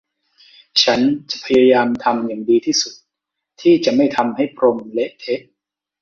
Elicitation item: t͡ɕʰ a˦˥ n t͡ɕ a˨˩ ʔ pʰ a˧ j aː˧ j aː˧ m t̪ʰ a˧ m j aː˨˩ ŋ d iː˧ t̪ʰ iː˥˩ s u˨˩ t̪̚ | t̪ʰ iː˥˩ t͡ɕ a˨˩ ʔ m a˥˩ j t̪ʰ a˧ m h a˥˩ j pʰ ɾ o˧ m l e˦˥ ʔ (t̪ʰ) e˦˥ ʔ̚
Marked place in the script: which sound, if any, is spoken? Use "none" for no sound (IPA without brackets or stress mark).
t̪ʰ